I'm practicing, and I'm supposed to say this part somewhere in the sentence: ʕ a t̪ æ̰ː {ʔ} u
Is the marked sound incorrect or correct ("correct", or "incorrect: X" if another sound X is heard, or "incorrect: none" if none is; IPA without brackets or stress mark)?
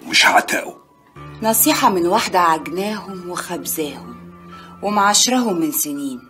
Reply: correct